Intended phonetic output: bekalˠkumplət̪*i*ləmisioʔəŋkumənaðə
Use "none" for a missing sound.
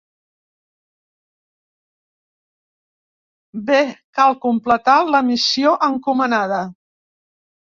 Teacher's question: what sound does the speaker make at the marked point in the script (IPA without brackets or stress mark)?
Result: a